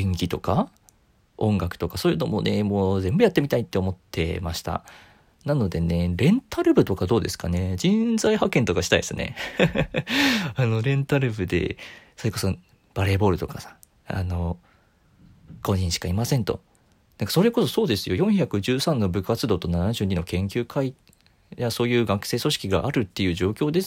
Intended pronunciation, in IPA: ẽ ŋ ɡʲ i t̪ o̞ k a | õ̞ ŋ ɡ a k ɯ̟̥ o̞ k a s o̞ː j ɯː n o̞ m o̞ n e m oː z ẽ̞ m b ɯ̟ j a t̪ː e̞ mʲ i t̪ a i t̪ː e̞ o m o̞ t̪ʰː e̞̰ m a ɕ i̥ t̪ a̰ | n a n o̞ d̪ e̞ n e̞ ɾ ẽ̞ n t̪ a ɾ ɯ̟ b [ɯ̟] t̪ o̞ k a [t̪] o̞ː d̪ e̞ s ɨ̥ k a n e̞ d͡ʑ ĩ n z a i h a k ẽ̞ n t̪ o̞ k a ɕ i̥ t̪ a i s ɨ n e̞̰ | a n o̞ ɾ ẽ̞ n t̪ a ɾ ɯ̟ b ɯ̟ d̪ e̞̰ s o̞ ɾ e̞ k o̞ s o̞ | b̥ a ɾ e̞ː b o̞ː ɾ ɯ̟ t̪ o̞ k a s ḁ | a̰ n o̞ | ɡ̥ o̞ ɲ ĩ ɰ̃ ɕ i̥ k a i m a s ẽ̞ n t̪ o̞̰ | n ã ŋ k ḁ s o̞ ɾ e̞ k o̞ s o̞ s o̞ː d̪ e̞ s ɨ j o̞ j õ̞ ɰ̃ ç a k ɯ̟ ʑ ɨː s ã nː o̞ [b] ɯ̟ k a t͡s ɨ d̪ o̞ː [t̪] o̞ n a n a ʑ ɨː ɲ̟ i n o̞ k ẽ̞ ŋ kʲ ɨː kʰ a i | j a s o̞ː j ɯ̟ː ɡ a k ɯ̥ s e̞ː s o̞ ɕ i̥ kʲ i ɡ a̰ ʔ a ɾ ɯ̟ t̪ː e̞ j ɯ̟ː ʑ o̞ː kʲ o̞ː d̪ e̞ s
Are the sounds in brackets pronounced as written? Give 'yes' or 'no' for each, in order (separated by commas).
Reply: yes, no, yes, yes